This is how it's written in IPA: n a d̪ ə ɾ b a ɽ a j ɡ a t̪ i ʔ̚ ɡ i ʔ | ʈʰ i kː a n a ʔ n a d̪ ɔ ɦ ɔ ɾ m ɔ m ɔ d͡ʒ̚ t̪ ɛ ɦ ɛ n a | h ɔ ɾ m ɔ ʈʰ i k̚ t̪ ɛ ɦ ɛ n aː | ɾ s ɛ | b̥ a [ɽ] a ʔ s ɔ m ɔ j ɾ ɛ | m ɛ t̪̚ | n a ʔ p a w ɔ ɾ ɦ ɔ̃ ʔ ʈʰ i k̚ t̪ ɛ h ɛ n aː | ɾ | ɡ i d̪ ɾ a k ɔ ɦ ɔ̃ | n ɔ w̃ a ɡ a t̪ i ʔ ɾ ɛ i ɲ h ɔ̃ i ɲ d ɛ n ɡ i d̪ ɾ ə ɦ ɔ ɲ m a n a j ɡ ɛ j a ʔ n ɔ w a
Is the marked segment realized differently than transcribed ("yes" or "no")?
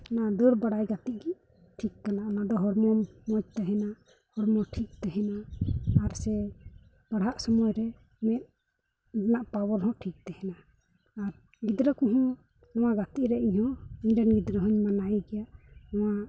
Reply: no